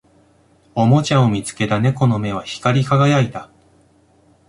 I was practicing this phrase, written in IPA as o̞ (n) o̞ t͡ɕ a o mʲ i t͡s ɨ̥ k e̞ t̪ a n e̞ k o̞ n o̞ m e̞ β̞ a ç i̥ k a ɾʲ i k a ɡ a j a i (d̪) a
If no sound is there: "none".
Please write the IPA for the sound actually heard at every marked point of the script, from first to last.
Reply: m, t̪

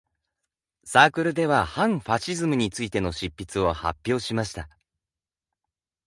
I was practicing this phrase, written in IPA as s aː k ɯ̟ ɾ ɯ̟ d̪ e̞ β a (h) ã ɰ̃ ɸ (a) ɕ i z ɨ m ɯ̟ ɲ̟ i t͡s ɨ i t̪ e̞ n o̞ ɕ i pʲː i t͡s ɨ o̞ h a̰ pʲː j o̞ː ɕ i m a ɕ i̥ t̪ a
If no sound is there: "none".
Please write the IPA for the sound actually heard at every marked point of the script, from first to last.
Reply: h, a

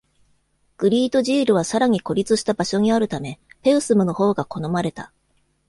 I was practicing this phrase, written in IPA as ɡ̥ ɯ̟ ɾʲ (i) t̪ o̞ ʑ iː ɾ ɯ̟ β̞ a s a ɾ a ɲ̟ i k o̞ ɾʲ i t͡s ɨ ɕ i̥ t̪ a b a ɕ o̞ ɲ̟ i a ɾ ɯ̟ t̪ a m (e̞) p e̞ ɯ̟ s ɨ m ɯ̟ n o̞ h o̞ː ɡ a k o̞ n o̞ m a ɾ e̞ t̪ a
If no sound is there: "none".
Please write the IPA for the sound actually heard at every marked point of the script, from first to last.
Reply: iː, e̞

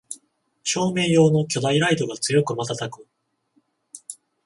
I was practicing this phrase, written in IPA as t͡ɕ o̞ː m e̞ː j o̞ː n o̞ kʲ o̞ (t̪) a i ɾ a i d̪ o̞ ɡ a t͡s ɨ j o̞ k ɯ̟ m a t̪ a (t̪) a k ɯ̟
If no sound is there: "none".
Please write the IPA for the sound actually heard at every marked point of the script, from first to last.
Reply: d̪, t̪

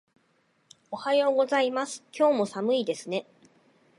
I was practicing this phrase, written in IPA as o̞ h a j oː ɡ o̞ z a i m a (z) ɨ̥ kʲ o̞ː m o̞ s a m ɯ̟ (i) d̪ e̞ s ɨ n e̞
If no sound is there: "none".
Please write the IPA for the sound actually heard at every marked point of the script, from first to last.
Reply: s, i

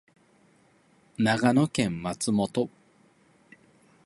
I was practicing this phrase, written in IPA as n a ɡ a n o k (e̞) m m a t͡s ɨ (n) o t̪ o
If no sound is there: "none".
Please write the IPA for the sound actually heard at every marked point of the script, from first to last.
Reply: ẽ̞, m

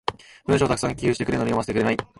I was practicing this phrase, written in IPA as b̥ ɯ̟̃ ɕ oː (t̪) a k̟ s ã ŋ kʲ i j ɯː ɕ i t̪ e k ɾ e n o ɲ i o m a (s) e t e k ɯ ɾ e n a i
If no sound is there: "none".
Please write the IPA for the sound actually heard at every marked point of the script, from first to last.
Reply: t̪, s

